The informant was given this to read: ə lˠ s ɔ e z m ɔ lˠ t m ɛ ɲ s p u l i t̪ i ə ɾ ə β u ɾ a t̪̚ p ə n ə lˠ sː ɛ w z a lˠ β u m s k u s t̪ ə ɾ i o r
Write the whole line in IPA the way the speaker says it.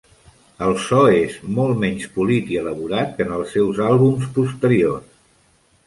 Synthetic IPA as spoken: ə lˠ s ɔ e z m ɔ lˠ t m ɛ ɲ s p u l i t̪ i ə l ə β u ɾ a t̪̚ k ə n ə lˠ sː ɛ w z a lˠ β u m s p u s t̪ ə ɾ i o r